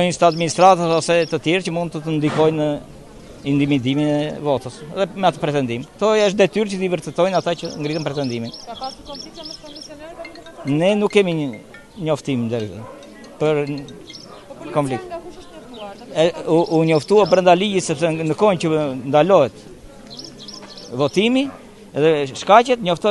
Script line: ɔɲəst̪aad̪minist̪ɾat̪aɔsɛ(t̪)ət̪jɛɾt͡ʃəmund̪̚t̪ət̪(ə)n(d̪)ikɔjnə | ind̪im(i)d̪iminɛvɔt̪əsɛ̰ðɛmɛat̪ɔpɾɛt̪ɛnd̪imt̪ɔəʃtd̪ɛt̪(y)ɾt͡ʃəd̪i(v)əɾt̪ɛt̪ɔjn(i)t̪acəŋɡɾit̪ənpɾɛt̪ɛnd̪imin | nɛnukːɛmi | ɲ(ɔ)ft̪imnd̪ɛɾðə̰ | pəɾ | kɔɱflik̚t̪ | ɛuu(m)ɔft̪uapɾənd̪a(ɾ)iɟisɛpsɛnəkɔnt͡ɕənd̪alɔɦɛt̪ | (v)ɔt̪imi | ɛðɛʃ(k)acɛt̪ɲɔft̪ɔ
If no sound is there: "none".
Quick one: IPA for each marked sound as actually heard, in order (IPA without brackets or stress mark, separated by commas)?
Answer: t̪, ə, d̪, i, y, v, a, ɔ, ɲ, l, v, k